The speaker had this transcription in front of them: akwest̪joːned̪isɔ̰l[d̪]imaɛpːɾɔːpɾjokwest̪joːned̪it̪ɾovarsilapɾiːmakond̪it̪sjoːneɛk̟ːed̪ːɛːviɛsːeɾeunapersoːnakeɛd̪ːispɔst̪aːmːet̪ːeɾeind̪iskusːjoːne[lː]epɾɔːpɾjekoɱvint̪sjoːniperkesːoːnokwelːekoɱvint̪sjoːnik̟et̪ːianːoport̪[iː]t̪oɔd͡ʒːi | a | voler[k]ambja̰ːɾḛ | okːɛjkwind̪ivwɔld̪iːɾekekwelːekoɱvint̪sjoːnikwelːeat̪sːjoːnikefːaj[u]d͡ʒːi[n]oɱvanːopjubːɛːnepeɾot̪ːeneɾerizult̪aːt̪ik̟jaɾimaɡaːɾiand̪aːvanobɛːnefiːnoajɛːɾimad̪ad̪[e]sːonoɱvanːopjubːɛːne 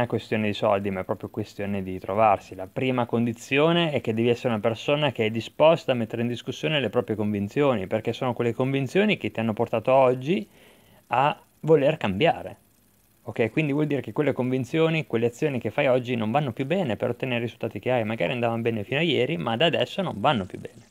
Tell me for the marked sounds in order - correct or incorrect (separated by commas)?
correct, incorrect, incorrect, correct, incorrect, correct, incorrect